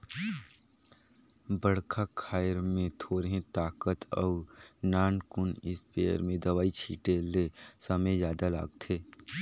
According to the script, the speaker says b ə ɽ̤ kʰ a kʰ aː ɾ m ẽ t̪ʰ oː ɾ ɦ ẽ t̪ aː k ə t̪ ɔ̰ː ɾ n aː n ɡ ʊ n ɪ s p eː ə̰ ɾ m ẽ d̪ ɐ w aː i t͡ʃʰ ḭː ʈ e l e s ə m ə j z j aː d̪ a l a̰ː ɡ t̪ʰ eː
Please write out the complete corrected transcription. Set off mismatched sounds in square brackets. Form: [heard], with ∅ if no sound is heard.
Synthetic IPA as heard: b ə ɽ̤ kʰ a kʰ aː ɾ m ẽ t̪ʰ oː ɾ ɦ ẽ t̪ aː k ə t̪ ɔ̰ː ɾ n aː n [k] ʊ n ɪ s p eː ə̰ ɾ m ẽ d̪ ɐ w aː i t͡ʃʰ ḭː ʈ e l e s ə m ə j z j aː d̪ a l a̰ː ɡ t̪ʰ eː

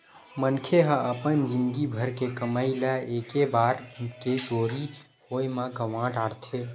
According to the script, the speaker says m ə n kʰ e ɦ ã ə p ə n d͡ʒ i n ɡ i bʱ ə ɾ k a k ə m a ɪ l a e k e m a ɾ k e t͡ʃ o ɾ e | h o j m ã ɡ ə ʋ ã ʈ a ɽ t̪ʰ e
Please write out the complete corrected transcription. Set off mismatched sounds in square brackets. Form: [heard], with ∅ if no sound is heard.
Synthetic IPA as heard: m ə n kʰ e ɦ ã ə p ə n d͡ʒ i n ɡ i bʱ ə ɾ k [e] k ə m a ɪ l a e k e [b] a ɾ k e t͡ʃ o ɾ [i] | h o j m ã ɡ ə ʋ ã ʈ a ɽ t̪ʰ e

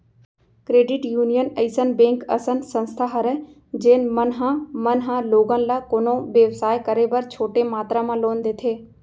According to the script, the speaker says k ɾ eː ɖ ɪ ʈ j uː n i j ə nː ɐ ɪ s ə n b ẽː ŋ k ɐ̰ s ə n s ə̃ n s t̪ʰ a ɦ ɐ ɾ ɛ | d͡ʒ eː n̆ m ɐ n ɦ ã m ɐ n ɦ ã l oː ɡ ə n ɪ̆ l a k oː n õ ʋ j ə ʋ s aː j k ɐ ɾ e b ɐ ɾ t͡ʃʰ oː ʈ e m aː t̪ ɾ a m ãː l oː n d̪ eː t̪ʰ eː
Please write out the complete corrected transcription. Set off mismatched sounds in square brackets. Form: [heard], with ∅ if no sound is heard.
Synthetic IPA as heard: k ɾ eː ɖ ɪ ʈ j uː n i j ə [n] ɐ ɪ s ə n b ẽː ŋ k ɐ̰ s ə n s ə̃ n s t̪ʰ a ɦ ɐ ɾ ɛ | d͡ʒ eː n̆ m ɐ n ɦ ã m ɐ n ɦ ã l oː ɡ ə n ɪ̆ l a k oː n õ ʋ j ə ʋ s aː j k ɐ ɾ e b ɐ ɾ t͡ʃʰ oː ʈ e m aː t̪ ɾ a m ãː l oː n d̪ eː t̪ʰ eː

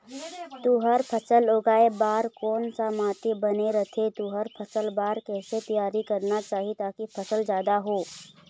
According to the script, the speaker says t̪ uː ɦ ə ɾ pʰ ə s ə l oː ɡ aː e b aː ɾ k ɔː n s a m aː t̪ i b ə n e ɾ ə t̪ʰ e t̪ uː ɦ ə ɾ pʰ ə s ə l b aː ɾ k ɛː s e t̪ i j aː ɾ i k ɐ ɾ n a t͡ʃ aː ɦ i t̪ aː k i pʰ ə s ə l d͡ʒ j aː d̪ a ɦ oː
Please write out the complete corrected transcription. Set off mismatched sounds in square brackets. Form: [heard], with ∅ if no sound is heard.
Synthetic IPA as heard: t̪ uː ɦ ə ɾ pʰ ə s ə l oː ɡ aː e b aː ɾ k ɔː n s a m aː t̪ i b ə n e ɾ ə t̪ʰ e t̪ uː ɦ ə ɾ pʰ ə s ə l b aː ɾ k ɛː s e t̪ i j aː ɾ i k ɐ ɾ n a t͡ʃ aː ɦ i t̪ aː k i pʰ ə s ə l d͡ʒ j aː d̪ a ɦ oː

